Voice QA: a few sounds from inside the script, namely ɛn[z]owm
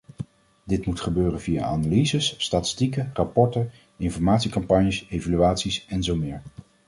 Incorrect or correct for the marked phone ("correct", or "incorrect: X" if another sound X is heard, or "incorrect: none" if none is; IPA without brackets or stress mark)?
correct